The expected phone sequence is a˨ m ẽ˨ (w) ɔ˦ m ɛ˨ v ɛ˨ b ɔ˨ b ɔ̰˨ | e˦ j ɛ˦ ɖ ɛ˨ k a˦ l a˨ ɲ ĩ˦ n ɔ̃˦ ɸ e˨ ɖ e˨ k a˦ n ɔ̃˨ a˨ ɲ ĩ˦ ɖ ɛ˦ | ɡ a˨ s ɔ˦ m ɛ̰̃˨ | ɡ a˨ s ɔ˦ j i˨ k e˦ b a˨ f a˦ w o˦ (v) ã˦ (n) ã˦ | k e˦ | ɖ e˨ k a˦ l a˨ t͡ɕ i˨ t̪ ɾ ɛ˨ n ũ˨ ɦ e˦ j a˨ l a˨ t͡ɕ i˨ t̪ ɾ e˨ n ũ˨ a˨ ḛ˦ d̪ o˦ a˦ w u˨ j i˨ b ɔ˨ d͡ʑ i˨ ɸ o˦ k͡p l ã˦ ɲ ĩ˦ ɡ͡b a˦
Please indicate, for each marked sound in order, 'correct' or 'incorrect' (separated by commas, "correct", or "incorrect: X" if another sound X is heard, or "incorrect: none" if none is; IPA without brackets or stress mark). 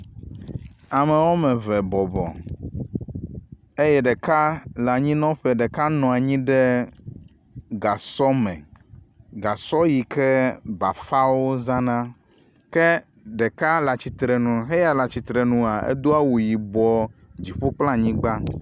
correct, incorrect: z, correct